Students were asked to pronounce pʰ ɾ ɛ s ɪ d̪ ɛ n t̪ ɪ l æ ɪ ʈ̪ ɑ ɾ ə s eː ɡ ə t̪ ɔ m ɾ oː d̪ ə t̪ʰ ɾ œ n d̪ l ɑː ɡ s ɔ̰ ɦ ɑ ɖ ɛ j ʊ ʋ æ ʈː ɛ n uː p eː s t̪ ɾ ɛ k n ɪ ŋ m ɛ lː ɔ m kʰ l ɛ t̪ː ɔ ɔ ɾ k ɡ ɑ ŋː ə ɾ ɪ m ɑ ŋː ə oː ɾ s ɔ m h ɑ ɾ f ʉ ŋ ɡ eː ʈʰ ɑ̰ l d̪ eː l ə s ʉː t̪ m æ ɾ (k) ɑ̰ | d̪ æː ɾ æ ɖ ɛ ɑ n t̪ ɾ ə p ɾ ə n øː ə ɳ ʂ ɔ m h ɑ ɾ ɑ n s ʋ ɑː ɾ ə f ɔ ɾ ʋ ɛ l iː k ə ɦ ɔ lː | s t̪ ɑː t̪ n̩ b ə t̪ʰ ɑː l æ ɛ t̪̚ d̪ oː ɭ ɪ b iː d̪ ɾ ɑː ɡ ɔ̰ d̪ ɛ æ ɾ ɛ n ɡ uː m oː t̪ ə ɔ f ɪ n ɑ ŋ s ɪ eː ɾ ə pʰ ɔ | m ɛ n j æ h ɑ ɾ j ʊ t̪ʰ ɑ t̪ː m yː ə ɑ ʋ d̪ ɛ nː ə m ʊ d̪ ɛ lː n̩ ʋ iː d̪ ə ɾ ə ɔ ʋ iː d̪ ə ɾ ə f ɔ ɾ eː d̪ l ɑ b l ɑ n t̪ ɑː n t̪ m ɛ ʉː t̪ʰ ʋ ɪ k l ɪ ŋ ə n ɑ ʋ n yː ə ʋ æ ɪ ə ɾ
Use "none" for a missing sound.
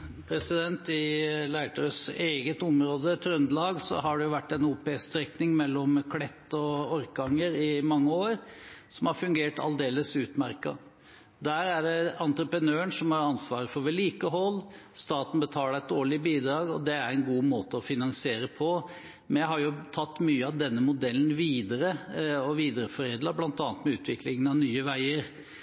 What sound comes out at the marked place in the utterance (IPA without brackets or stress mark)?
k